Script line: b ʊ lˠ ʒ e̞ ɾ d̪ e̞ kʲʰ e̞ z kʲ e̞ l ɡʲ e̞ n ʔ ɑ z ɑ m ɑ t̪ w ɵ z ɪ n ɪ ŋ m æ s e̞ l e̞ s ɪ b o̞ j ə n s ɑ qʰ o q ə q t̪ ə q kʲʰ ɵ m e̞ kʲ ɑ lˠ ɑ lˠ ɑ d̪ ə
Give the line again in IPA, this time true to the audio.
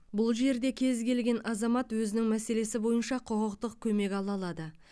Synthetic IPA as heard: b ʊ lˠ ʒ e̞ ɾ d̪ e̞ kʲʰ e̞ z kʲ e̞ l ɡʲ e̞ n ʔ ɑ z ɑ m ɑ t̪ w ɵ z ɪ n ɪ ŋ m æ s e̞ l e̞ s ɪ b o̞ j ə n ʃ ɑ qʰ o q ə q t̪ ə q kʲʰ ɵ m e̞ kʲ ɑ lˠ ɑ lˠ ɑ d̪ ə

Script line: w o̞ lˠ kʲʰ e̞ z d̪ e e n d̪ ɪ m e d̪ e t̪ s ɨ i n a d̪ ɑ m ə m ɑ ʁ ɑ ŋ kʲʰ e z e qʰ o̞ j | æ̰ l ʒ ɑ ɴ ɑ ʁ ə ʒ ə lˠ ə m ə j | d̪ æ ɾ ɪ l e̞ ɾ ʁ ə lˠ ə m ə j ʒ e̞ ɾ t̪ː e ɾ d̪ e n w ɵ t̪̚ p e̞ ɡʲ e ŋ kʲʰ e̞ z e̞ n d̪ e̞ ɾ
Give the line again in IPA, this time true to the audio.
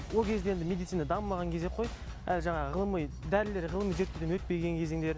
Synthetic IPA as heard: w o̞ lˠ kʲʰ e̞ z d̪ e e n d̪ ɪ m e d̪ i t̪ s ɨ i n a d̪ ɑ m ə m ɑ ʁ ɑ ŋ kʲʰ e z e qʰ o̞ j | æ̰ l ʒ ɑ ɴ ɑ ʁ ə ʁ ə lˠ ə m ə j | d̪ æ ɾ ɪ l e̞ ɾ ʁ ə lˠ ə m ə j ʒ e̞ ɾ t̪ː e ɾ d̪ e n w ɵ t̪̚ p e̞ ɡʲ e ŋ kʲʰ e̞ z e̞ ŋ d̪ e̞ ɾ

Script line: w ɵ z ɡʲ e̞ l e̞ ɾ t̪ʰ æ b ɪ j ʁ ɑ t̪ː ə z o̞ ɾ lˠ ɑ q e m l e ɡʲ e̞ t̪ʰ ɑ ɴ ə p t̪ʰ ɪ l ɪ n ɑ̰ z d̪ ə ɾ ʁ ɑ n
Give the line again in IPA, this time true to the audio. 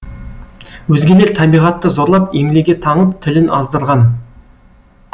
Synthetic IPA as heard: w ɵ z ɡʲ e̞ l e̞ ɾ t̪ʰ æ b i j ʁ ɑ t̪ː ə z o̞ ɾ lˠ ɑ p e m l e ɡʲ e̞ t̪ʰ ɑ ɴ ə p t̪ʰ ɪ l ɪ n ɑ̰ z d̪ ə ɾ ʁ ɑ n

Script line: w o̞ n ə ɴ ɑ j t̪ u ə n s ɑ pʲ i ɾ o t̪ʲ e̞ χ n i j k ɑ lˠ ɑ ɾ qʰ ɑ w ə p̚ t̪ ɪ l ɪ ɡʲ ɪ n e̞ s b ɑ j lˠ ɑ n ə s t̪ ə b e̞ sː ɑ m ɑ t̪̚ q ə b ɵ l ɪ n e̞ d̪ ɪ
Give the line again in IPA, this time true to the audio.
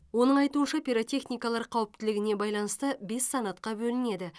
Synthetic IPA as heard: w o̞ n ə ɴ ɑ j t̪ u ə n ʃ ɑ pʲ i ɾ o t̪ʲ e̞ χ n i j k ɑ lˠ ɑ ɾ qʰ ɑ w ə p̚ t̪ ɪ l ɪ ɡʲ ɪ n e̞ b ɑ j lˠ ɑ n ə s t̪ ə b e̞ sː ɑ n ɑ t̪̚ q ɑ b ɵ l ɪ n e̞ d̪ ɪ

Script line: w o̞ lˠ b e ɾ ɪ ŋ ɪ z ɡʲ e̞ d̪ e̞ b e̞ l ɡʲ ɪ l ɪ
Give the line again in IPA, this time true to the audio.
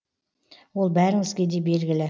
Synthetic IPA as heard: w o̞ lˠ b æ ɾ ɪ ŋ ɪ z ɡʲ e̞ d̪ e̞ b e̞ l ɡʲ ɪ l ɪ

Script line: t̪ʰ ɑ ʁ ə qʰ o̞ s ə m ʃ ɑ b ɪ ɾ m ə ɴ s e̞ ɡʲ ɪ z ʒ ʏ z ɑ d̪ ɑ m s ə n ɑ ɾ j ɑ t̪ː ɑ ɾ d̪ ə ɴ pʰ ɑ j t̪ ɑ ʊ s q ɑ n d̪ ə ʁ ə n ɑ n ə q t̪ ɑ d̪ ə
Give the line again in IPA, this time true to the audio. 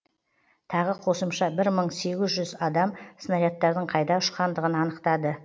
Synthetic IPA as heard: t̪ʰ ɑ ʁ ə qʰ o̞ s ə m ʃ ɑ b ɪ ɾ m ə ɴ s e̞ ɡʲ ɪ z ʒ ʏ z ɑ d̪ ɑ m s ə n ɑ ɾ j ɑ t̪ː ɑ ɾ d̪ ə ɴ qʰ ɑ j d̪ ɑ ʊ ʃ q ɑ n d̪ ə ʁ ə n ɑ n ə q t̪ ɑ d̪ ə

